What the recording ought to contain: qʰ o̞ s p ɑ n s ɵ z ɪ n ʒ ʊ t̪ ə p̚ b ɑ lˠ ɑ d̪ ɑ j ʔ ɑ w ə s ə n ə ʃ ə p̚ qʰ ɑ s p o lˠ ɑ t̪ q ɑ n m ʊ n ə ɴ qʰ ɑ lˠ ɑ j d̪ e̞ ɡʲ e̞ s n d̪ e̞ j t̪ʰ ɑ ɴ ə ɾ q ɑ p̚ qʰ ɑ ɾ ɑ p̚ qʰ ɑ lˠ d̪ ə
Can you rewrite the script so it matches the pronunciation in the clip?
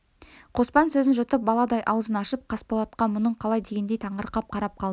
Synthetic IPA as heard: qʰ o̞ s p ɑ n s ɵ z ɪ n ʒ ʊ t̪ ə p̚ b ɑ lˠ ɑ d̪ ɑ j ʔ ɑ w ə z ə n ɑ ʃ ə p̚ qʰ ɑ s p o lˠ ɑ t̪ q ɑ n m ʊ n ə ɴ qʰ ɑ lˠ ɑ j d̪ e̞ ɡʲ e̞ n d̪ e̞ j t̪ʰ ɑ ɴ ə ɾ q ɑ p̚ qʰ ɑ ɾ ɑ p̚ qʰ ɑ lˠ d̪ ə

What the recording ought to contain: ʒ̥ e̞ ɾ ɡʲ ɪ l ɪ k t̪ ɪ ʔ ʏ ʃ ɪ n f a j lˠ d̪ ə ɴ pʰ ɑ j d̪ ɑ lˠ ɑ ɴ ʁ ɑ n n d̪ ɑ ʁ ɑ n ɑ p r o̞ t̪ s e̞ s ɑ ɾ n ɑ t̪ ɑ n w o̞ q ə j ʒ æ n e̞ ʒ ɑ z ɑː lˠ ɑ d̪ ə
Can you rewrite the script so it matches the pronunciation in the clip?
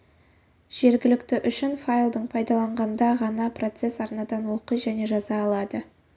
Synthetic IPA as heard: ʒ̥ e̞ ɾ ɡʲ ɪ l ɪ k t̪ ɪ ʔ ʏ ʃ ɪ n f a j lˠ d̪ ə ɴ pʰ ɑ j d̪ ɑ lˠ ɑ ɴ ʁ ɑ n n d̪ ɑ ʁ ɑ n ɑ p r o̞ t̪ s e̞ s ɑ ɾ n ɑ d̪ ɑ n w o̞ q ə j ʒ æ n e̞ ʒ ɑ z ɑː lˠ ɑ d̪ ə

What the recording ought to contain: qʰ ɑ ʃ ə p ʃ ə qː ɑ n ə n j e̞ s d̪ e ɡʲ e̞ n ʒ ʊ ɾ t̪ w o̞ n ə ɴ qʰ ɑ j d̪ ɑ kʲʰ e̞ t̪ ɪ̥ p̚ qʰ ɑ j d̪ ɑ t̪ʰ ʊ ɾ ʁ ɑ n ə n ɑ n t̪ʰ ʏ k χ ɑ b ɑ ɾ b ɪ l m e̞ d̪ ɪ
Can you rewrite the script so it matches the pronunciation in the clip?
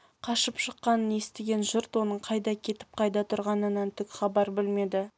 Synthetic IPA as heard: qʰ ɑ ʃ ə p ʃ ə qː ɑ n ə n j e̞ s t̪ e ɡʲ e̞ n ʒ ʊ ɾ t̪ w o̞ n ə ɴ qʰ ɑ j d̪ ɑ kʲʰ e̞ t̪ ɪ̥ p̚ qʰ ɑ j d̪ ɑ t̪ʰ ʊ ɾ ʁ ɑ n ə n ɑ n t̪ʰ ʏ k χ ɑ b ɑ ɾ b ɪ l m e̞ d̪ ɪ

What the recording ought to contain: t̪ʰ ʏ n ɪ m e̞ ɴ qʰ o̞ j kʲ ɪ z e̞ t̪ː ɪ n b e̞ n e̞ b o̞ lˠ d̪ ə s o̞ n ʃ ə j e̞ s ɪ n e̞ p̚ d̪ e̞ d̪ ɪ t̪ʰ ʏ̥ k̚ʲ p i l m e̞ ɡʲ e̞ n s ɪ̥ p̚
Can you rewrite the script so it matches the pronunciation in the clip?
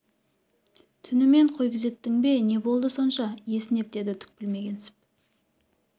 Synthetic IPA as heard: t̪ʰ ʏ n ɪ m e̞ ɴ qʰ o̞ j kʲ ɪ z e̞ t̪ː ɪ ŋ b e̞ n e̞ b o̞ lˠ d̪ ə s o̞ n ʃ ɑ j e̞ s ɪ n e̞ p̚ d̪ e̞ d̪ ɪ t̪ʰ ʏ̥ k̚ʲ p ɪ l m e̞ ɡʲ e̞ n s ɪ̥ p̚

